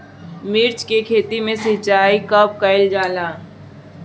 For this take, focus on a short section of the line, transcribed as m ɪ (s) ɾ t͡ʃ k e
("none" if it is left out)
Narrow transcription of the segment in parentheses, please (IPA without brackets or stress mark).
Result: none